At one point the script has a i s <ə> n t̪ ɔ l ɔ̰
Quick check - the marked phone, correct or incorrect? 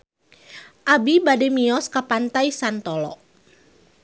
incorrect